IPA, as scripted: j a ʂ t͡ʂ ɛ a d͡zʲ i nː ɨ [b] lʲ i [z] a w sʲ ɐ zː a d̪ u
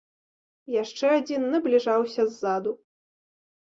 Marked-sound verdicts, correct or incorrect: correct, incorrect

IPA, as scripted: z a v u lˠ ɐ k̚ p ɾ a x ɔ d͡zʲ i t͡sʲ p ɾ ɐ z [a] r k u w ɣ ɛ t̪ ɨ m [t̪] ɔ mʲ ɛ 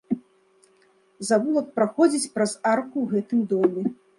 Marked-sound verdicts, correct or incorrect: correct, incorrect

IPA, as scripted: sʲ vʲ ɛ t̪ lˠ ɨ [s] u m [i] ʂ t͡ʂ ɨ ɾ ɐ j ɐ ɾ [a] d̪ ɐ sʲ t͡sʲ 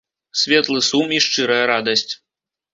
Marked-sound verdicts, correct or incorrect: correct, correct, correct

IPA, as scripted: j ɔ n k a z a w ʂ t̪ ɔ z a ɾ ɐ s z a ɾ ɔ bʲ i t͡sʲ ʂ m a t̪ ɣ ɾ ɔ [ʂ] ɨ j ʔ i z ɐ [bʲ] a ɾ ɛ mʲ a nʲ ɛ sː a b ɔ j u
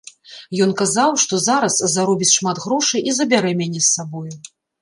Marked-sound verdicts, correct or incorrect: correct, correct

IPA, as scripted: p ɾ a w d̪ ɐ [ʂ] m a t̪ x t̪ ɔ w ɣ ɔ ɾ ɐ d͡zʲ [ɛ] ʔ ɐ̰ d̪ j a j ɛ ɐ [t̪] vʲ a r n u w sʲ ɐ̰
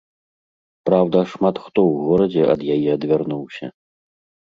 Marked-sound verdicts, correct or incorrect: correct, correct, incorrect

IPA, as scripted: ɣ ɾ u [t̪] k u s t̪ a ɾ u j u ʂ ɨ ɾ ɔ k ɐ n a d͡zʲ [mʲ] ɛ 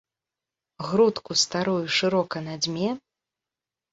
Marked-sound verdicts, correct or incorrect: correct, correct

